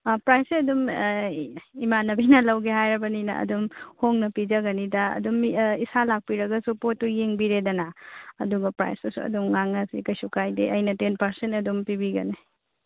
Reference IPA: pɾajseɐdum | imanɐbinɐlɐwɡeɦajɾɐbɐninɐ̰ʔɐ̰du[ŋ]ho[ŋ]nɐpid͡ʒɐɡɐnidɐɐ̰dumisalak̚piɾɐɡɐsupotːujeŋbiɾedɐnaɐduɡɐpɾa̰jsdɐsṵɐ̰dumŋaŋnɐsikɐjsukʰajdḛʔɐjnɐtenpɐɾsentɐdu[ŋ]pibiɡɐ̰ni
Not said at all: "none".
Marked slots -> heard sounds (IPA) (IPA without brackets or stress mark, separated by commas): m, ŋ, m